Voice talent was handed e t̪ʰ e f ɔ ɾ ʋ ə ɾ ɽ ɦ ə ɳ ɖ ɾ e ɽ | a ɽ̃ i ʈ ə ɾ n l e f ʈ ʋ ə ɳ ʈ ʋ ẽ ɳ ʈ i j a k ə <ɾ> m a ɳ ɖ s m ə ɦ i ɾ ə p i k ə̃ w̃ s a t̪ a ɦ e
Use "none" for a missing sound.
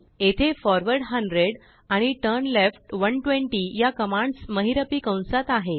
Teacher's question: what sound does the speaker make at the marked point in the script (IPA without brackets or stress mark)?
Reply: none